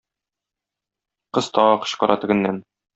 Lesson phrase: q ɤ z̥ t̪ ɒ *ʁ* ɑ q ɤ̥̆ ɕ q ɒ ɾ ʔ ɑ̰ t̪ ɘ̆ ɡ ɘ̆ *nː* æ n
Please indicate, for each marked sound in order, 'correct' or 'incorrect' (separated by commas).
correct, correct